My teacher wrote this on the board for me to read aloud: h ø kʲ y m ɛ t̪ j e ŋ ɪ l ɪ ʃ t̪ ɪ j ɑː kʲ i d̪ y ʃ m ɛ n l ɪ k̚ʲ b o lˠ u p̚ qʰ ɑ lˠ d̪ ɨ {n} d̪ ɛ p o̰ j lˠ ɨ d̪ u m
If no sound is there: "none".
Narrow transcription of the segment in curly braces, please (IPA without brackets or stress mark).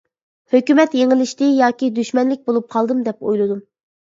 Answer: m